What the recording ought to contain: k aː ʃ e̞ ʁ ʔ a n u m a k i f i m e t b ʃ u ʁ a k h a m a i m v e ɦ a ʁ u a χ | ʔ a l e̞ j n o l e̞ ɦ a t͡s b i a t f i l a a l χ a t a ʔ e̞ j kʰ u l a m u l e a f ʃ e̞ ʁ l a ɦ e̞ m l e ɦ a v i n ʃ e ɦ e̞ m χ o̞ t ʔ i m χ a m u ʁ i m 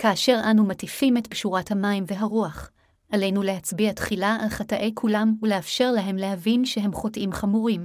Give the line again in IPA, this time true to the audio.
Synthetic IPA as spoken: k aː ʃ e̞ ʁ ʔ a n u m a t i f i m e t b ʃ u ʁ a t h a m a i m v e ɦ a ʁ u a χ | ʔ a l e̞ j n u l e̞ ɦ a t͡s b i a t χ i l a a l χ a t a ʔ e̞ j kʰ u l a m u l e a f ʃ e̞ ʁ l a ɦ e̞ m l e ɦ a v i n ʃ e ɦ e̞ m χ o̞ t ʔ i m χ a m u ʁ i m